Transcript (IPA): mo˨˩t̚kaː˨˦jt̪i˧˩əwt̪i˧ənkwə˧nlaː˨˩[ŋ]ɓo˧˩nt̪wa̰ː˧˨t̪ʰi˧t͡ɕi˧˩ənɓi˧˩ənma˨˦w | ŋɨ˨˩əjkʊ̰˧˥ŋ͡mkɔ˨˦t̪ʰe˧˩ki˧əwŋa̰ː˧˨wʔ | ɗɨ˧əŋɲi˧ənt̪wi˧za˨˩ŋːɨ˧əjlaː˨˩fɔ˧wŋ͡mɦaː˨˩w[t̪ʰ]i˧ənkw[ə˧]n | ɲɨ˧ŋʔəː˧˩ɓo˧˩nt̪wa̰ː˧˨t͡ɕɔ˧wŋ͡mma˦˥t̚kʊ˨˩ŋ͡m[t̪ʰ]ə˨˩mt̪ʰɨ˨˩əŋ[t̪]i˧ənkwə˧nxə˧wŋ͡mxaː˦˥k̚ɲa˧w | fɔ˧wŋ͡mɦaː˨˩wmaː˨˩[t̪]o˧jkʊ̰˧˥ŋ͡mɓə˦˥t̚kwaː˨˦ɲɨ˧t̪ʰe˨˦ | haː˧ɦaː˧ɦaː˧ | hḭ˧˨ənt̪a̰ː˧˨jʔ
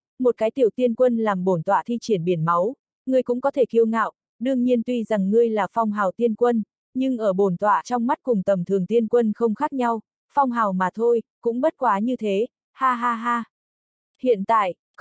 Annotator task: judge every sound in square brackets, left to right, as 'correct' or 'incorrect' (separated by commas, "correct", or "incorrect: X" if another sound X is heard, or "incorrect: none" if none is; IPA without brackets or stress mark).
incorrect: m, incorrect: t̪, correct, incorrect: t̪, correct, incorrect: t̪ʰ